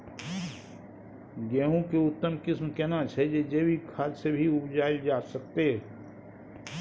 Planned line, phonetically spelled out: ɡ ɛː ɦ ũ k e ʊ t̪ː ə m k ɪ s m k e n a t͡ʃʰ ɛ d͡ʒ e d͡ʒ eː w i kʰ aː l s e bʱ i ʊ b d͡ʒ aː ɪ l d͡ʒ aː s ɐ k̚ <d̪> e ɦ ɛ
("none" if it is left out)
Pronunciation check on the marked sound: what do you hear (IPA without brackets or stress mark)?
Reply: t̪